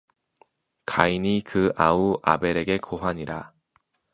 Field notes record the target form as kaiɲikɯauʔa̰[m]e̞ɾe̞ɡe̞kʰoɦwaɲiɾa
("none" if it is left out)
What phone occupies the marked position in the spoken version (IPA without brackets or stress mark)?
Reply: b